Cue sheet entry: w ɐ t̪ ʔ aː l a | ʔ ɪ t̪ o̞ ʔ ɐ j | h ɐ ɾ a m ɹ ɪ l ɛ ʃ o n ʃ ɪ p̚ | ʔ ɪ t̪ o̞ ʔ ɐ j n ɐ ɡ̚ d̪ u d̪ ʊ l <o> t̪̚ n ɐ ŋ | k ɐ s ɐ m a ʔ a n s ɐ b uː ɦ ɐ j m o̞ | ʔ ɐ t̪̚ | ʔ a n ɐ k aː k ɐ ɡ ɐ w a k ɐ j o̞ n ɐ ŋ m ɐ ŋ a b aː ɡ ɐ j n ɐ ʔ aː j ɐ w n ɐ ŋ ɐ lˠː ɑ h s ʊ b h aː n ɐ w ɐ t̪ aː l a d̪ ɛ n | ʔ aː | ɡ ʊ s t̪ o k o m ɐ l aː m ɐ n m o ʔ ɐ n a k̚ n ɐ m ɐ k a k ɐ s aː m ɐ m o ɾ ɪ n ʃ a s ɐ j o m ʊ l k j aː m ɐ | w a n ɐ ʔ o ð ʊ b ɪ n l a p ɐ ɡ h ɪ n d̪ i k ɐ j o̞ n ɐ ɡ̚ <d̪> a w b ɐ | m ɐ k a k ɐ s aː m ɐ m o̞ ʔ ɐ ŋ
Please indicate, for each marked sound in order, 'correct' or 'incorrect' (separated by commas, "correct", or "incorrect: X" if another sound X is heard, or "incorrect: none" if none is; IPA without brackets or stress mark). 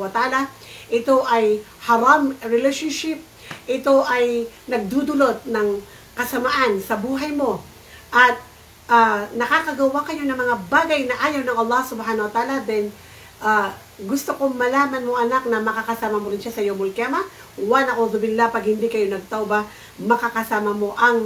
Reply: correct, incorrect: t̪